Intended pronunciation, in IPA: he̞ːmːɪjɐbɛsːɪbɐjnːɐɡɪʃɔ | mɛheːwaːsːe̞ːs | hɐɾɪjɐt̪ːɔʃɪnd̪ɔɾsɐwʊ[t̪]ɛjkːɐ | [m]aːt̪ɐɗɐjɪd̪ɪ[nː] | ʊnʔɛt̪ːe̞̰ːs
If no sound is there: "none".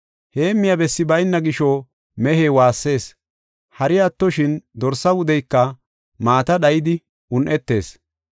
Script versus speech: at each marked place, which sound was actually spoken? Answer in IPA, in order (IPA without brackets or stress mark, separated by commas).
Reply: d̪, m, none